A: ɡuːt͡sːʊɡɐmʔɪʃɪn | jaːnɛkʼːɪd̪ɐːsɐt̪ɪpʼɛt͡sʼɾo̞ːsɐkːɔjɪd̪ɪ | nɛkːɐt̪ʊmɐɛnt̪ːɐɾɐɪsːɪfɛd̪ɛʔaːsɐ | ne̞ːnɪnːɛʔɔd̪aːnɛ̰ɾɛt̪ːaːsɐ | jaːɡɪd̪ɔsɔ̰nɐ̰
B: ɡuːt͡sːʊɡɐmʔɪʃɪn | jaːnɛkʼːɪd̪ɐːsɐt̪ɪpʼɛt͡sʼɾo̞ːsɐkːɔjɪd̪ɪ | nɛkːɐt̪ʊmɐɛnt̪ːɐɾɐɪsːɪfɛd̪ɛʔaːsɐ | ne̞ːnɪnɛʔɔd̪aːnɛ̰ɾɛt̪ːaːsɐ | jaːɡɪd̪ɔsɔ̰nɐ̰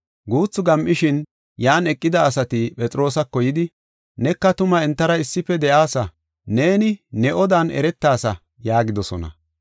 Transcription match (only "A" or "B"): B